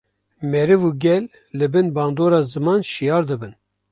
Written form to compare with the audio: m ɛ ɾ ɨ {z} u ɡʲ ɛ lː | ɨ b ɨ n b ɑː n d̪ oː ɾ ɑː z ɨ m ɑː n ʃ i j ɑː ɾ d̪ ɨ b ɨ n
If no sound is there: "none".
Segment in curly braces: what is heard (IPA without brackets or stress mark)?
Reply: v